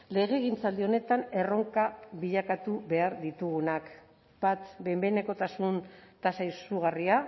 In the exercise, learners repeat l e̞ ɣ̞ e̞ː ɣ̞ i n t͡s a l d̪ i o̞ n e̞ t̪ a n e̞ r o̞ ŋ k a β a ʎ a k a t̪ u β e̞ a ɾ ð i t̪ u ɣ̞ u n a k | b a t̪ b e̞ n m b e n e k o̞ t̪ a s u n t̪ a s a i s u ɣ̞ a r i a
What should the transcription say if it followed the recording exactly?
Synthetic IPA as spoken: l e̞ ɣ̞ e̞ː ɣ̞ i n t͡s a l d̪ i o̞ n e̞ t̪ a n e̞ r o̞ ŋ k a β i ʎ a k a t̪ u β e̞ a ɾ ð i t̪ u ɣ̞ u n a k | b a t̪ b e̞ m b e n e k o̞ t̪ a s u n t̪ a s a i s u ɣ̞ a r i a